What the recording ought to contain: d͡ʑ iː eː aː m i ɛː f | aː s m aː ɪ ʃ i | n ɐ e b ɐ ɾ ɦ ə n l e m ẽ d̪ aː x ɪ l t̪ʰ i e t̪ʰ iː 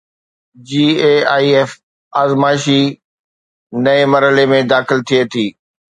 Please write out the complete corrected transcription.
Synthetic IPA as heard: d͡ʑ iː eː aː i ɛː f | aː z m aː ɪ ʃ i | n ɐ e m ɐ ɾ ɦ ə l e m ẽ d̪ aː x ɪ l t̪ʰ i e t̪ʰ iː